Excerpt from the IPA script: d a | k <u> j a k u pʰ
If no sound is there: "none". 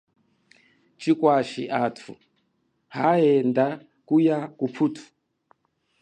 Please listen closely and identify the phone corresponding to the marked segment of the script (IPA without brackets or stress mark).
u